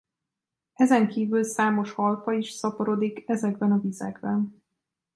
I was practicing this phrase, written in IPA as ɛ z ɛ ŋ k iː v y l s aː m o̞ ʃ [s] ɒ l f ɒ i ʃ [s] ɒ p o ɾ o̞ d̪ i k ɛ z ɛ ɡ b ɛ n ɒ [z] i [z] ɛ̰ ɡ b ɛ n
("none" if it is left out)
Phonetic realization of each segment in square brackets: h, s, v, z

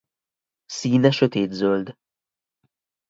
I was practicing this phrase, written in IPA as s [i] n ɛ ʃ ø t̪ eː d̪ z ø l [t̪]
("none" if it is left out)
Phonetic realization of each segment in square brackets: iː, d̪

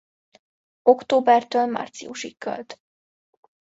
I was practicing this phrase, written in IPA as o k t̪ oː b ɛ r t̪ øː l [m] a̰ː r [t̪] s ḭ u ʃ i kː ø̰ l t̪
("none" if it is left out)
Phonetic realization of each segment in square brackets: m, t̪

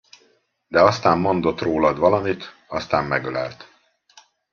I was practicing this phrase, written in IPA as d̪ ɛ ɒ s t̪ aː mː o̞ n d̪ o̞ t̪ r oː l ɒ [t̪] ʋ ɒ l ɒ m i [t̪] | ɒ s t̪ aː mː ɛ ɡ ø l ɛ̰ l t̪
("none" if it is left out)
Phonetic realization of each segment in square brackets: d̪, t̪

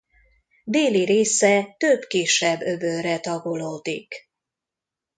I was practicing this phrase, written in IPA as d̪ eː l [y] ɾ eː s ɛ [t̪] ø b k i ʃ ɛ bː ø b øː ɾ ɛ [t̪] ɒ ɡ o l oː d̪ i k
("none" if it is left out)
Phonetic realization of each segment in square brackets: i, t̪, t̪

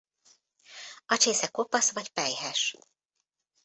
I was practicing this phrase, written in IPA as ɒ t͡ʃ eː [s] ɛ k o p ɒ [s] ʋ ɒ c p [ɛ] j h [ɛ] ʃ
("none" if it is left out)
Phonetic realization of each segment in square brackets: s, s, ɛ, ɛ

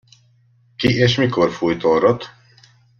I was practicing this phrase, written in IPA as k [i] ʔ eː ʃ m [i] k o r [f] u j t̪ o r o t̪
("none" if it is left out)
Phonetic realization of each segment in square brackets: i, i, f

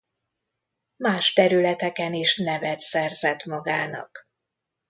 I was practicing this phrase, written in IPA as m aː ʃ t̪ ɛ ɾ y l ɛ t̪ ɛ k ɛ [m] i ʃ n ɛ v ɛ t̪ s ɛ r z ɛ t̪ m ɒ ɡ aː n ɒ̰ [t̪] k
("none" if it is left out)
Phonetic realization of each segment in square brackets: n, none

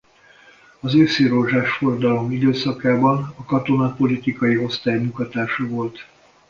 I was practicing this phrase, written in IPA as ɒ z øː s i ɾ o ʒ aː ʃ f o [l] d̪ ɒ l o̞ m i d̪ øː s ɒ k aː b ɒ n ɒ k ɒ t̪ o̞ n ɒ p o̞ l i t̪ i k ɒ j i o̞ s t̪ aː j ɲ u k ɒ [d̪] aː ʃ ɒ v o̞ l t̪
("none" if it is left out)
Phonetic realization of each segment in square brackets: r, t̪

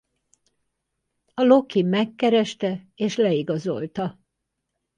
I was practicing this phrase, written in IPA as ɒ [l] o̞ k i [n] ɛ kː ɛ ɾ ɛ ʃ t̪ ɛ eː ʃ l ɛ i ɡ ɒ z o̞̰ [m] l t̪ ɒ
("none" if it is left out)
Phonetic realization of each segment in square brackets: l, m, none

